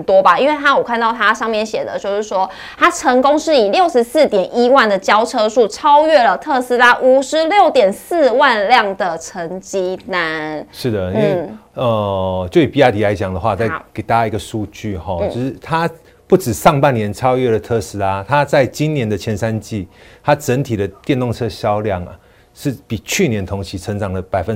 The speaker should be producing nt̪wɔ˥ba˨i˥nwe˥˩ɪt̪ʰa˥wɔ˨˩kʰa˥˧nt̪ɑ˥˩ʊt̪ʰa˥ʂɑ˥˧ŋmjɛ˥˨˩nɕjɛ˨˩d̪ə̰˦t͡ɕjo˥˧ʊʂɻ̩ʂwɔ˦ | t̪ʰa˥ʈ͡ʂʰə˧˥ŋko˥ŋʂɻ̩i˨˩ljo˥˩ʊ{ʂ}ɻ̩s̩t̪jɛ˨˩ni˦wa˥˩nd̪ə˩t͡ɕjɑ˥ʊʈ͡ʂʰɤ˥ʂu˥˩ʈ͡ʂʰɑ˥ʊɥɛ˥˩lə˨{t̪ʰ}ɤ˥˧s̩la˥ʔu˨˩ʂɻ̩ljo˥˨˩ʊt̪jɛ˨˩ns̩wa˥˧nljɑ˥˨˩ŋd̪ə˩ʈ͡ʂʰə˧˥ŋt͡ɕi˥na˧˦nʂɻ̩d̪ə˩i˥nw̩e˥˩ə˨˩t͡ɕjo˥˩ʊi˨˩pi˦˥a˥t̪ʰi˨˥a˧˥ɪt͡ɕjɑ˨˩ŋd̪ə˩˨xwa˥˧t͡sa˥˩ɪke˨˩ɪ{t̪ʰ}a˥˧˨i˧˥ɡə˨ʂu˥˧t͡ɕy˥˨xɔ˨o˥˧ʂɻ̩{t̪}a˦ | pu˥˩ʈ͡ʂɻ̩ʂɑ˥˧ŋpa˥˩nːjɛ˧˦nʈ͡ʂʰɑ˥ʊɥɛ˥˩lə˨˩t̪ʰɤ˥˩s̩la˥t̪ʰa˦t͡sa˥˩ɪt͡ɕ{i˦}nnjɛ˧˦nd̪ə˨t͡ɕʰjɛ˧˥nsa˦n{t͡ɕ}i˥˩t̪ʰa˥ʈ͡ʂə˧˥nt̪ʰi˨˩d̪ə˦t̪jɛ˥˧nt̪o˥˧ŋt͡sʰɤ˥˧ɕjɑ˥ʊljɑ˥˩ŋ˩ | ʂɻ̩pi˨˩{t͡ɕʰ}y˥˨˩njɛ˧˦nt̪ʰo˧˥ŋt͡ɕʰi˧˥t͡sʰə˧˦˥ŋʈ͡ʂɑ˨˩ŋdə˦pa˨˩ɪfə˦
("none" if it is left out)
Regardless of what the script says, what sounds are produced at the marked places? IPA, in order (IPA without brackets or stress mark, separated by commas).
ʂ, t̪ʰ, t̪, t̪ʰ, i˦, t͡ɕ, t͡ɕʰ